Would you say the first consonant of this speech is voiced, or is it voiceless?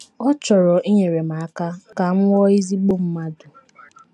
voiceless